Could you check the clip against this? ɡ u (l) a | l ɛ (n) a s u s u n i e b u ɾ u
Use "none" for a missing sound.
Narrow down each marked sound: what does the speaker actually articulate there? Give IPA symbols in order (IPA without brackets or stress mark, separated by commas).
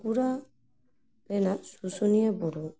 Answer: ɾ, n